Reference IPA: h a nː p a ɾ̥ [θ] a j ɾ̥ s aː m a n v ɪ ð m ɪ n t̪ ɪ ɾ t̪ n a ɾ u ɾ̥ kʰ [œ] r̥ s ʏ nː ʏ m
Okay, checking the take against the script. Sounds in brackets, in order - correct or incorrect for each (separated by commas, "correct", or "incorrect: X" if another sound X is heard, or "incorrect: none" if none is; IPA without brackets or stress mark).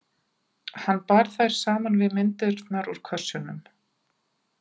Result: correct, correct